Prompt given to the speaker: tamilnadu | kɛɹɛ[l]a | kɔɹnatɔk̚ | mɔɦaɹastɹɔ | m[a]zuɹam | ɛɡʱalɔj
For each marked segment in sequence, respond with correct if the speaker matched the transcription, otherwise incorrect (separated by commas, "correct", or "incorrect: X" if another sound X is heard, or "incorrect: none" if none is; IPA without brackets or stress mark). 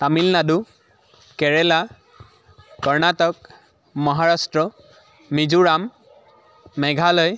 correct, incorrect: i